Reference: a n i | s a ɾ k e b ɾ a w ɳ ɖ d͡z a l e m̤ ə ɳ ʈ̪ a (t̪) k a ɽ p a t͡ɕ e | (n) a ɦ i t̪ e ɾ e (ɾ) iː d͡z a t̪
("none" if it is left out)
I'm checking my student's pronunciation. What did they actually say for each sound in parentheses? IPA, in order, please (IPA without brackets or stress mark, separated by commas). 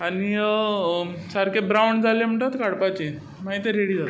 t̪, m, ɽ